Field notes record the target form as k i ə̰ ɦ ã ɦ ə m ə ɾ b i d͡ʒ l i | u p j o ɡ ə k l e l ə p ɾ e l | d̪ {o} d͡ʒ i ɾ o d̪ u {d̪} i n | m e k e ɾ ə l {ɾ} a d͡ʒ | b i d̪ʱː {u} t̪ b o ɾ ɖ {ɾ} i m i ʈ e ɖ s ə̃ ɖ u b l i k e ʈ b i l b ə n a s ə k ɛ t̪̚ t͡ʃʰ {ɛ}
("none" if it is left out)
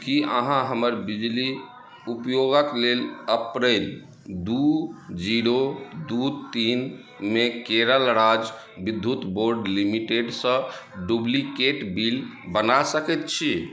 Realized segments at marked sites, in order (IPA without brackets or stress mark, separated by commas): u, t̪, ɾ, u, l, i